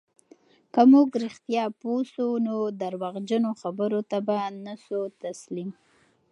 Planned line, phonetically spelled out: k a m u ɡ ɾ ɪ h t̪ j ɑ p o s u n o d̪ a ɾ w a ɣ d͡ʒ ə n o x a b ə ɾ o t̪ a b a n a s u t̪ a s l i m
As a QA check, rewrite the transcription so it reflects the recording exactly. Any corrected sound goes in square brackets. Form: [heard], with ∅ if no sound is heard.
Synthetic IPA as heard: k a m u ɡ ɾ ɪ [x] t̪ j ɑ p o s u n o d̪ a ɾ w a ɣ d͡ʒ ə n o x a b ə ɾ o t̪ a b a n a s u t̪ a s l i m